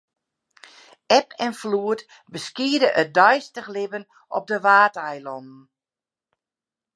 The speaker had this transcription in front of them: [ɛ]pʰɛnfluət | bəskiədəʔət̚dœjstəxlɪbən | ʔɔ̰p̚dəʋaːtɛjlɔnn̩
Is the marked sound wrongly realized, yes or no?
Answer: no